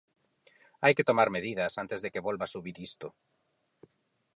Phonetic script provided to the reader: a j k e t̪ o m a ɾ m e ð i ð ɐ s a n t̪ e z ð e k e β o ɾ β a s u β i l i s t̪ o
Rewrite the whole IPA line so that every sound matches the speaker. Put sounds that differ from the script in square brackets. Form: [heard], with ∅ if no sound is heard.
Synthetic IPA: a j k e t̪ o m a ɾ m e ð i ð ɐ s a n t̪ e z ð e k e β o [l] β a s u β i [ɾ] i s t̪ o

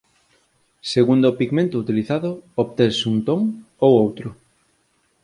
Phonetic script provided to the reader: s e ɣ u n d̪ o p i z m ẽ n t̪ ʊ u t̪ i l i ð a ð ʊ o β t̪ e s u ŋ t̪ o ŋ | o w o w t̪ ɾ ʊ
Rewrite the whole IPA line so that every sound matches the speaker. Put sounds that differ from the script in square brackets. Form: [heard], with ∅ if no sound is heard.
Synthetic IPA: s e ɣ u n d̪ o p i [ɣ] m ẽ n t̪ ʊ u t̪ i l i [θ] a ð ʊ o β t̪ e s u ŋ t̪ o ŋ | o w o w t̪ ɾ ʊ

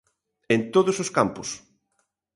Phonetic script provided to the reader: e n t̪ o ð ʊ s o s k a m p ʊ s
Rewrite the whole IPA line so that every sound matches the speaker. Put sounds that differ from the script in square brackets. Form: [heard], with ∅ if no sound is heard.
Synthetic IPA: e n t̪ o ð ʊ s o s k a m p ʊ s

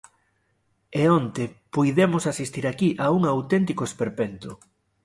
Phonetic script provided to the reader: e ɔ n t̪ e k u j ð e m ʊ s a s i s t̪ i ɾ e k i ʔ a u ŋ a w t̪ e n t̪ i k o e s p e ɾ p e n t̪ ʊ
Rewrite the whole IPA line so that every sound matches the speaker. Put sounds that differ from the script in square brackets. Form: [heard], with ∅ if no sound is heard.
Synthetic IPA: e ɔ n t̪ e [p] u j ð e m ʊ s a s i s t̪ i ɾ [a] k i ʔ a u ŋ a w t̪ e n t̪ i k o e s p e ɾ p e n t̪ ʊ

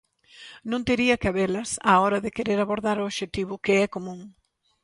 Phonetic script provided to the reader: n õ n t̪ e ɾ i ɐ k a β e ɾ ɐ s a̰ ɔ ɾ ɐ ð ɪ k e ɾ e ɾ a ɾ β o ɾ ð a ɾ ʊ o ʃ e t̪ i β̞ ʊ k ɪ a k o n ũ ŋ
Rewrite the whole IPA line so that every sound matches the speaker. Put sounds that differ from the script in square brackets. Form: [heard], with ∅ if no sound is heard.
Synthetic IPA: n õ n t̪ e ɾ i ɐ k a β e [l] ɐ s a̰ ɔ ɾ ɐ ð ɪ k e ɾ e ɾ a [∅] β o ɾ ð a ɾ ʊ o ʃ e t̪ i β̞ ʊ k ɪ [ɛ] k o [m] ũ ŋ

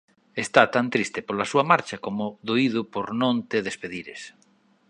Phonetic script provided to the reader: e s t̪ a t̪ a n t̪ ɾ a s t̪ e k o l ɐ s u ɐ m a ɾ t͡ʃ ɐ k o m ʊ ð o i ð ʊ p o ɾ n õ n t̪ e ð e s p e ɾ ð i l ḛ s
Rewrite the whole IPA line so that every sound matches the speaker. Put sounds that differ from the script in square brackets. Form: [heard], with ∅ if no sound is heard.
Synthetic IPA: e s t̪ a t̪ a n t̪ ɾ [i] s t̪ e [p] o l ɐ s u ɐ m a ɾ t͡ʃ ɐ k o m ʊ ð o i ð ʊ p o ɾ n õ n t̪ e ð e s p e [∅] ð i [ɾ] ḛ s

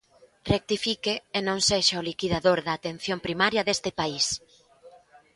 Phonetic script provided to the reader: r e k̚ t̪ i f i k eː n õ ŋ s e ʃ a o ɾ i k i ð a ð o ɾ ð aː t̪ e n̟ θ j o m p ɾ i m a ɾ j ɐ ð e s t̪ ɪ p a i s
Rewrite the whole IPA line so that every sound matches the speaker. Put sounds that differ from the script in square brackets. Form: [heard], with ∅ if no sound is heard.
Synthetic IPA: r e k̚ t̪ i f i k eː n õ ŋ s e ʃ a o [l] i k i ð a ð o ɾ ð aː t̪ e n̟ θ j o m p ɾ i m a ɾ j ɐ ð e s t̪ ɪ p a i s

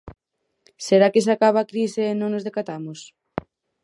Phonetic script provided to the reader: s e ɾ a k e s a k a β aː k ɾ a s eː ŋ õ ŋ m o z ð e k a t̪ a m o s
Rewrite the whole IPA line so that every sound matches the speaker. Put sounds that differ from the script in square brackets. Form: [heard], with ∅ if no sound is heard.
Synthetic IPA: s e ɾ a k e s a k a β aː k ɾ [i] s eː [n] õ ŋ [n] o z ð e k a t̪ a m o s

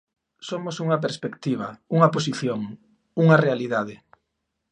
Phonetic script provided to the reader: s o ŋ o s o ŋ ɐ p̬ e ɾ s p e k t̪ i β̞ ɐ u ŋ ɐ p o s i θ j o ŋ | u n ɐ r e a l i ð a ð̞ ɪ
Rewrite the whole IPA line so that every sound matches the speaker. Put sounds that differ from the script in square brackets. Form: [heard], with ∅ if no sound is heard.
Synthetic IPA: s o [m] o s [u] ŋ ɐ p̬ e ɾ s p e k t̪ i β̞ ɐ u ŋ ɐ p o s i θ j o ŋ | u [ŋ] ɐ r e a l i ð a ð̞ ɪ

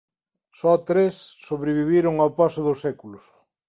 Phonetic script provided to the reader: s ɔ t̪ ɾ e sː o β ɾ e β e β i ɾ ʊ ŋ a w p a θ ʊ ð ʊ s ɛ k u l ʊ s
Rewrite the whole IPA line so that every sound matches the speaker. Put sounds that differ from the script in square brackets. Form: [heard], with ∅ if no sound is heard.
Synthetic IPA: s ɔ t̪ ɾ e sː o β ɾ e β [i] β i ɾ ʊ ŋ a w p a [s] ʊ ð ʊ s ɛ k u l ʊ s

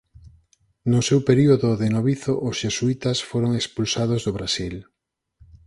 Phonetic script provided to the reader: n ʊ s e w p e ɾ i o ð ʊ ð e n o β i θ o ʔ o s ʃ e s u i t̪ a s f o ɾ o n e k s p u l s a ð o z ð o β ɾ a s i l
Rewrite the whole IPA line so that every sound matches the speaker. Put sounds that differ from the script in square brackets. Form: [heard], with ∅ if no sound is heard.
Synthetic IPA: n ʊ s e w p e ɾ i o ð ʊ ð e n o β i θ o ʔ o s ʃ e s u i t̪ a s f o ɾ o [ŋ] e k s p u l s a ð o z ð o β ɾ a s i l

